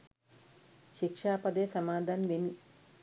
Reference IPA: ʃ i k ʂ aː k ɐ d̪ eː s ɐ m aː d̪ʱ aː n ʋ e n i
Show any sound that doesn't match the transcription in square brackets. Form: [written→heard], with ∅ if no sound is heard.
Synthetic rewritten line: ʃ i k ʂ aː [k→p] ɐ d̪ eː s ɐ m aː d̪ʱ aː n ʋ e n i